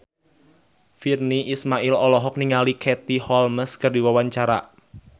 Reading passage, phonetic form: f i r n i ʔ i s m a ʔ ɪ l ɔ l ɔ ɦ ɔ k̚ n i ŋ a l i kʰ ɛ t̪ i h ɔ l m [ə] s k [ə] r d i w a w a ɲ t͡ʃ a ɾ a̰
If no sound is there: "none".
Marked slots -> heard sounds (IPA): ə, ə

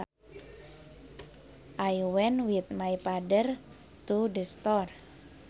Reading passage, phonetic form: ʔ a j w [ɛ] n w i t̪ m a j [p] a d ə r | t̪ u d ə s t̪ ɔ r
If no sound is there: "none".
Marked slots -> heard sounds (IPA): ɛ, p

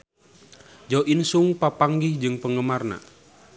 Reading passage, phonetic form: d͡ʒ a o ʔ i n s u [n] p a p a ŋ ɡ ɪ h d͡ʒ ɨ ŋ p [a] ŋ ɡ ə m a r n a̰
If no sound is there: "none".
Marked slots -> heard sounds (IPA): ŋ, ə

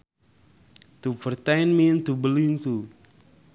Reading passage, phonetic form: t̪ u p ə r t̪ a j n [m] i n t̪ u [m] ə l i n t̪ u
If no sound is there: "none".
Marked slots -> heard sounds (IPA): m, b

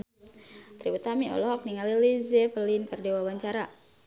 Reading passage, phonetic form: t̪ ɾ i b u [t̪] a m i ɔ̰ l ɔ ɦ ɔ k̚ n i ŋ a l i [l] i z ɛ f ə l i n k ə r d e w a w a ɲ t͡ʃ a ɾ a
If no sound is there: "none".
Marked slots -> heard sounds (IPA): t̪, l

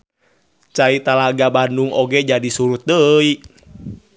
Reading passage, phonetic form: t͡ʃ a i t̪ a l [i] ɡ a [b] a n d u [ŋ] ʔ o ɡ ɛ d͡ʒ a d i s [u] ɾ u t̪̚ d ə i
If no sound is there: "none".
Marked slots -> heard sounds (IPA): a, b, ŋ, u

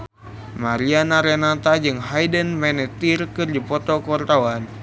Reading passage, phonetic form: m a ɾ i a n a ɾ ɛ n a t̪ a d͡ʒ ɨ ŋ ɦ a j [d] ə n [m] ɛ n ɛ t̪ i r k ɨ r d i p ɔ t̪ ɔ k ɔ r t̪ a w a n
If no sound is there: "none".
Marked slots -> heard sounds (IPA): d, m

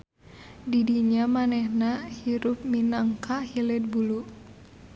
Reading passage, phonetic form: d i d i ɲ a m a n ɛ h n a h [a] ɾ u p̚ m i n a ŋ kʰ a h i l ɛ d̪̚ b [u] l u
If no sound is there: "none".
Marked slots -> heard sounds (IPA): i, u

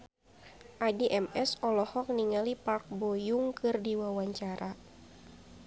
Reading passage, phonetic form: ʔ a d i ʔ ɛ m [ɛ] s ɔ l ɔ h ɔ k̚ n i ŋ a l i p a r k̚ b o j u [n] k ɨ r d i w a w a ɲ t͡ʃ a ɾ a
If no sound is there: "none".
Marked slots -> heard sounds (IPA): ɛ, ŋ

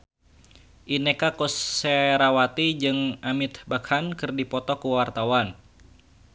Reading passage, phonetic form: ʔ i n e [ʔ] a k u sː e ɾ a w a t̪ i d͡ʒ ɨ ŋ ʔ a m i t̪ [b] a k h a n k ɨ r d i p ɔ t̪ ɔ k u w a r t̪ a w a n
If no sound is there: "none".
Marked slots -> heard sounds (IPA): k, b

